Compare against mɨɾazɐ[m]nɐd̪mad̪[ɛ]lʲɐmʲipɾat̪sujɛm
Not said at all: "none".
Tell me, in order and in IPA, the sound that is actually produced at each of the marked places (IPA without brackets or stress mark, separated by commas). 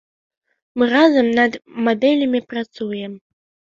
m, ɛ